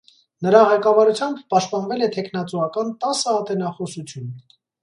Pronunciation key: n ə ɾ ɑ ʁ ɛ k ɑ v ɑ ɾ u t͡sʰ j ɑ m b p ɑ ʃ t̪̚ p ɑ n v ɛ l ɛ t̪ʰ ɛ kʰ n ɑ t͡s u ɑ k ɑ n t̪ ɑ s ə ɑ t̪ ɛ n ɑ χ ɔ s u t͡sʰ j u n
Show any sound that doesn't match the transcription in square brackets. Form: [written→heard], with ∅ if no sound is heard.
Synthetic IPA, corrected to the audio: n ə ɾ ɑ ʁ ɛ k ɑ v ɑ ɾ u t͡sʰ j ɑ m b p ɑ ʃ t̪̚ p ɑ n v ɛ l ɛ t̪ʰ ɛ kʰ n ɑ t͡s u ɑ k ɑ n t̪ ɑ s ə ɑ t̪ ɛ n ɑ χ ɔ s u t͡sʰ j u n